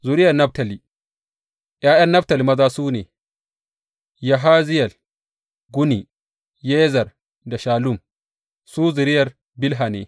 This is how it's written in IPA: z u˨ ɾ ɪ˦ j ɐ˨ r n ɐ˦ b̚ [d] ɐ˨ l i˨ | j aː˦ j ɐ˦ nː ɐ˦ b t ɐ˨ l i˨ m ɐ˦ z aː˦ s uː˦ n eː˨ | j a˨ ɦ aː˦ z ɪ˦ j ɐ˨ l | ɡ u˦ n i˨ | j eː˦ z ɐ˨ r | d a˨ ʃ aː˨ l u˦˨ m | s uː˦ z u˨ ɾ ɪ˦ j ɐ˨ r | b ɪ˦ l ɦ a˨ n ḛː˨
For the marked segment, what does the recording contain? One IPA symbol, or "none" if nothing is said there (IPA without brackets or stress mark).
t